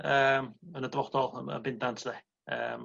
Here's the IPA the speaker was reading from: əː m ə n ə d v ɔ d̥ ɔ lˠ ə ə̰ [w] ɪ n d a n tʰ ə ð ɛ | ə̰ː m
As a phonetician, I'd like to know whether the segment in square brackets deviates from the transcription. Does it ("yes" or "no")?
yes